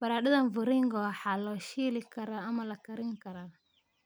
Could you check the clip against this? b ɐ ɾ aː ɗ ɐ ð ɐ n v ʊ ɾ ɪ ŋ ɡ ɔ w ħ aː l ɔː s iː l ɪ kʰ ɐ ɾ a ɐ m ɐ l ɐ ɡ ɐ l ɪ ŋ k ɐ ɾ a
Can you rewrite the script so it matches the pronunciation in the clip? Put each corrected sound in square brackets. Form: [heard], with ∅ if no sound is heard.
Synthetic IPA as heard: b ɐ ɾ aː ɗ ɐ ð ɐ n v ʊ ɾ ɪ ŋ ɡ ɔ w ħ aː l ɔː [ʃ] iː l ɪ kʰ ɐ ɾ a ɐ m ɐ l ɐ [k] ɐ [ɾ] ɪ ŋ k ɐ ɾ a